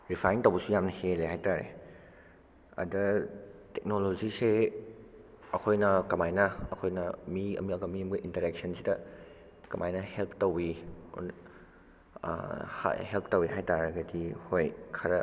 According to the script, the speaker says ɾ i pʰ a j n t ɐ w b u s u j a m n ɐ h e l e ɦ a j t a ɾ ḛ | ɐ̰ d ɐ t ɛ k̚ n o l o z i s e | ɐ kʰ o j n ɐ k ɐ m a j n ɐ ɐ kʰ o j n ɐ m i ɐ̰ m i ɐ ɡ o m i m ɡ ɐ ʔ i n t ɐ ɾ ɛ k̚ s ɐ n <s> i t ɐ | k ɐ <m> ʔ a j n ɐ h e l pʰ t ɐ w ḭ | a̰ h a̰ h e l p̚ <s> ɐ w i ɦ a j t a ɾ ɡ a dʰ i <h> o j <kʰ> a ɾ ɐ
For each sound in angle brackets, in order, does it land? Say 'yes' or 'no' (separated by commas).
yes, yes, no, yes, yes